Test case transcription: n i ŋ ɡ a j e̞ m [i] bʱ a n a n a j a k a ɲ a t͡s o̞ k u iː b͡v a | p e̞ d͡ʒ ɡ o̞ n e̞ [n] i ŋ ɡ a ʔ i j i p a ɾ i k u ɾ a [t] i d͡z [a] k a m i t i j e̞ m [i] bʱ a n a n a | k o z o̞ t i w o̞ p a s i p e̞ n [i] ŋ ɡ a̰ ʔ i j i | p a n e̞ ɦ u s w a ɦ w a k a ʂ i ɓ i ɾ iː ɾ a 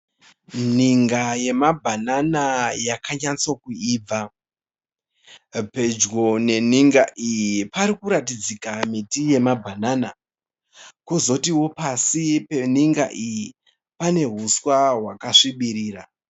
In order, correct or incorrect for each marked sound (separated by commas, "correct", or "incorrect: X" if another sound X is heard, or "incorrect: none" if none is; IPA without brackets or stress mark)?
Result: incorrect: a, correct, correct, incorrect: i, incorrect: a, correct